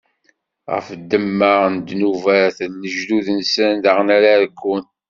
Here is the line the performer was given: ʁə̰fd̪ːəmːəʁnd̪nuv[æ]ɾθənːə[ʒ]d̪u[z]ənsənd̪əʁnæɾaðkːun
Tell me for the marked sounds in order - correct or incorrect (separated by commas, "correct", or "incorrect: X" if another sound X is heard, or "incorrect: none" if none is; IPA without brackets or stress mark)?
correct, correct, incorrect: ð